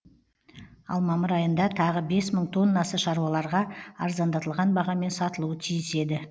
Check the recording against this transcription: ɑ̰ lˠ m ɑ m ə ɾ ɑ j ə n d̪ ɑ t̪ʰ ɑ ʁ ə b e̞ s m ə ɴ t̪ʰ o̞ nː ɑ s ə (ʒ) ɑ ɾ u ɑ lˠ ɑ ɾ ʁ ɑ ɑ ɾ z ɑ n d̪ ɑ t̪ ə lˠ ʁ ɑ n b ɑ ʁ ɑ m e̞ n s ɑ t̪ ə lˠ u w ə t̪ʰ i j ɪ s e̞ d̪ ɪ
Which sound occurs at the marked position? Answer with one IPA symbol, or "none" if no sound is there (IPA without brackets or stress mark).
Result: ʃ